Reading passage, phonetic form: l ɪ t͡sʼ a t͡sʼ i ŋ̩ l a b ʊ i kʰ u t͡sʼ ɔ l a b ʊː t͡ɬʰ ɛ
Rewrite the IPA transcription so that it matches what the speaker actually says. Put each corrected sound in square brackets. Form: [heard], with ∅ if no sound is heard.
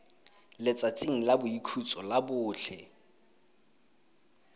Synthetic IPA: l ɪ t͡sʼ a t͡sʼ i ŋ̩ l a b ʊ i kʰ u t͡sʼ ɔ l a b ʊː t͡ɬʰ ɛ